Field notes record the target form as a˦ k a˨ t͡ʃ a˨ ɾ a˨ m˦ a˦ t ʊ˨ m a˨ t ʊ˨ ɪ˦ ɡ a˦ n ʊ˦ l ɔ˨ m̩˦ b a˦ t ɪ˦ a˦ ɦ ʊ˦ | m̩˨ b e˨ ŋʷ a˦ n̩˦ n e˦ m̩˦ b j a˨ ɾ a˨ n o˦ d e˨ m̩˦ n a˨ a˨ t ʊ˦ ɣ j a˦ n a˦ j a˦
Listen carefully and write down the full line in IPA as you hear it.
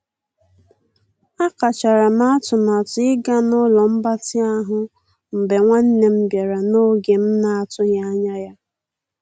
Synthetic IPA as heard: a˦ k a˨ t͡ʃ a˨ ɾ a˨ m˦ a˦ t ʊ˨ m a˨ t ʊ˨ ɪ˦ ɡ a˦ n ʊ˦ l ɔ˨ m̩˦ b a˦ t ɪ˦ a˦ ɦ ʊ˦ | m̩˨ b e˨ ŋʷ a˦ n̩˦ n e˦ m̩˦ b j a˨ ɾ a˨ n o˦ ɡ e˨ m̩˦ n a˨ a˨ t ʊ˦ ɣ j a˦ ɲ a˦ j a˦